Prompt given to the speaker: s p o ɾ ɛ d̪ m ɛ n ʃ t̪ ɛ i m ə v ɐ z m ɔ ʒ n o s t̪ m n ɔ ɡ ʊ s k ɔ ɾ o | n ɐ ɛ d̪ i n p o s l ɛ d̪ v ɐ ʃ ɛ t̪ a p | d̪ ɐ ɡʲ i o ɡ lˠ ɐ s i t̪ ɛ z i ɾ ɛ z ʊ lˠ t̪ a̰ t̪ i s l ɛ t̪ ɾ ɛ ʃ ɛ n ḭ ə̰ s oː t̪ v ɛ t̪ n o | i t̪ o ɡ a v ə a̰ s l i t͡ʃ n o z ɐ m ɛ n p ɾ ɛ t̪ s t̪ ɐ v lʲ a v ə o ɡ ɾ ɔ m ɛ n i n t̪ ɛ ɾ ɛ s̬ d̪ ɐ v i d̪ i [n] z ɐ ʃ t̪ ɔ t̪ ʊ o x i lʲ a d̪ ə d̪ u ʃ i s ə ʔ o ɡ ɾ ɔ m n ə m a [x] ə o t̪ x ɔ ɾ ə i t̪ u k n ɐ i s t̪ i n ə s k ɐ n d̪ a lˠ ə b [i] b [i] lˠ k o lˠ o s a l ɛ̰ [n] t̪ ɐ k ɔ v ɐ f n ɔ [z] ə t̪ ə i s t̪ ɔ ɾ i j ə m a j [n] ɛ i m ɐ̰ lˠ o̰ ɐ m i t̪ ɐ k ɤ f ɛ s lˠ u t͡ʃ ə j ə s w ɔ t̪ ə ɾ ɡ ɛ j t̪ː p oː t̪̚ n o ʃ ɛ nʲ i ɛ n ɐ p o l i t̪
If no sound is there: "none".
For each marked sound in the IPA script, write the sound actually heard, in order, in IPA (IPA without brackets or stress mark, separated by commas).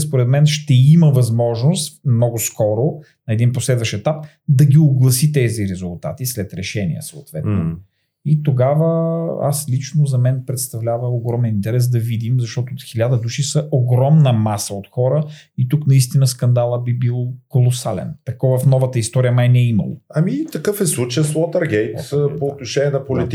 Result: m, s, i, i, n, v, n